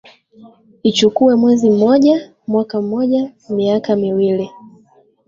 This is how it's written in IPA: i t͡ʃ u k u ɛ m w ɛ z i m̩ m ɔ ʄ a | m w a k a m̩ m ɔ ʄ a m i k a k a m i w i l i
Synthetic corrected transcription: i t͡ʃ u k u ɛ m w ɛ z i m̩ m ɔ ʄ a | m w a k a m̩ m ɔ ʄ a m i a k a m i w i l i